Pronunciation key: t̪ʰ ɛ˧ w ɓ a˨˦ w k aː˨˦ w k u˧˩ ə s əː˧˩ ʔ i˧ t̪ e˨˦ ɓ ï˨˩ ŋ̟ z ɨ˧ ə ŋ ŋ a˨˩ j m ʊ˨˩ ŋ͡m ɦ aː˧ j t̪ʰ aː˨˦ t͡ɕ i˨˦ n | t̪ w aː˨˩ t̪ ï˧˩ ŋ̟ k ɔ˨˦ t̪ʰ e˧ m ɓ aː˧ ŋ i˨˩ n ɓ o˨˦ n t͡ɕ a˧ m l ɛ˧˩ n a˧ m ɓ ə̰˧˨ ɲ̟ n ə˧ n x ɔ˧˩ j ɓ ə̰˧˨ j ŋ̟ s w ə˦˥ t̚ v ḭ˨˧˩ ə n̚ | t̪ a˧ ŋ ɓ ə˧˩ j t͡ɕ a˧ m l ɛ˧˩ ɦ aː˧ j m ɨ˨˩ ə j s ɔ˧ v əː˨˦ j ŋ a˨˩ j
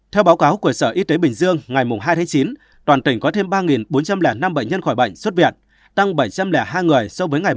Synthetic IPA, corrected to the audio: t̪ʰ ɛ˧ w ɓ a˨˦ w k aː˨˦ w k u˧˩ ə s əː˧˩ ʔ i˧ t̪ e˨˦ ɓ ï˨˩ ŋ̟ z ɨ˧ ə ŋ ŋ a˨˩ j m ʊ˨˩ ŋ͡m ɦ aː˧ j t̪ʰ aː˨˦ t͡ɕ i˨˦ n | t̪ w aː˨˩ t̪ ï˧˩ ŋ̟ k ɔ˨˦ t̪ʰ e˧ m ɓ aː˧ ŋ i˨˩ n ɓ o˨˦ n t͡ɕ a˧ m l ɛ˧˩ n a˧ m ɓ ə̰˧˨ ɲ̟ ɲ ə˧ n x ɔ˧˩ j ɓ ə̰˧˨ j ŋ̟ s w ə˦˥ t̚ v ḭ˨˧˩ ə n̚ | t̪ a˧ ŋ ɓ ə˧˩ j t͡ɕ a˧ m l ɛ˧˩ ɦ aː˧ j ŋ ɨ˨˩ ə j s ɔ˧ v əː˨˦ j ŋ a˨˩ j